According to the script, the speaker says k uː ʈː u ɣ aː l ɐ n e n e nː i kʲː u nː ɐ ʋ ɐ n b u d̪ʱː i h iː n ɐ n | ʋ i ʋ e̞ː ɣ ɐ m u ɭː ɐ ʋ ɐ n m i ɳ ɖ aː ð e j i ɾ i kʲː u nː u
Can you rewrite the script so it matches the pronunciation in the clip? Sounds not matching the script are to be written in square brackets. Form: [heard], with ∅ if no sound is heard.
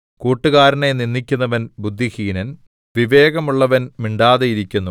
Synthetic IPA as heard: k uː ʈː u ɣ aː [ɾ] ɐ n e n [i] nː i kʲː u nː ɐ ʋ ɐ n b u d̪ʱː i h iː n ɐ n | ʋ i ʋ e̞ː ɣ ɐ m u ɭː ɐ ʋ ɐ n m i ɳ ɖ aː ð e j i ɾ i kʲː u nː u